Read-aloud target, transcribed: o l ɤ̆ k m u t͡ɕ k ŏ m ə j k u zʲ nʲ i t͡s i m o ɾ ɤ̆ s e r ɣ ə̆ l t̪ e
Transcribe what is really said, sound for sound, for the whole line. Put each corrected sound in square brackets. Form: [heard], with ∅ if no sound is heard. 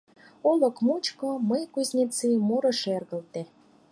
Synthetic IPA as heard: o l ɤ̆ k m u t͡ɕ k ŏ m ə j k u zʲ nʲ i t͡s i m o ɾ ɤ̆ [ʃ] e r ɣ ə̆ l t̪ e